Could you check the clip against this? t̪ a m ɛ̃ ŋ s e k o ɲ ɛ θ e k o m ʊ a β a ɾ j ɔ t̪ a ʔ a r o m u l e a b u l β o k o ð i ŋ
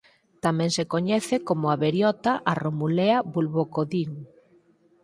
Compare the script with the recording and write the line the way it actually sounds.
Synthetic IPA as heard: t̪ a m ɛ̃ ŋ s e k o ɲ ɛ θ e k o m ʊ a β e ɾ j ɔ t̪ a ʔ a r o m u l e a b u l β o k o ð i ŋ